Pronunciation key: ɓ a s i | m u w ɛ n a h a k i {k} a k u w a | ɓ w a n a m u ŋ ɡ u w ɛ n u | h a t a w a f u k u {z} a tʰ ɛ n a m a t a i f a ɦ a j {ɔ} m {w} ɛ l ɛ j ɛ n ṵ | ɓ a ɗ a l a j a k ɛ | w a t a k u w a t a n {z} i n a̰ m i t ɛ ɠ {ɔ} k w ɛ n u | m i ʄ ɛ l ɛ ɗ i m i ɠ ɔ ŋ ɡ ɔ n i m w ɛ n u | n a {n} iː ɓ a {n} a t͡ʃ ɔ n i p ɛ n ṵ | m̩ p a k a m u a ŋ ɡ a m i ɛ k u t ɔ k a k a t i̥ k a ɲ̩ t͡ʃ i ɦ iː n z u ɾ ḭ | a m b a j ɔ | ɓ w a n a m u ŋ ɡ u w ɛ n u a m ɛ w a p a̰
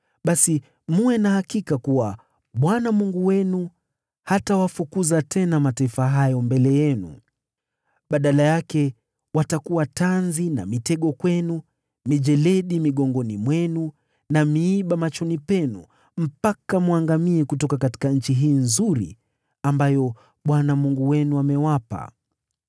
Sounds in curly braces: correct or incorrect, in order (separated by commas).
correct, correct, correct, incorrect, correct, correct, incorrect, incorrect